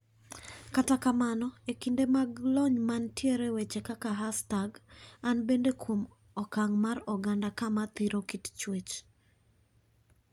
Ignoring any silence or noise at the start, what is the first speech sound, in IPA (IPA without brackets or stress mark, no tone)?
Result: k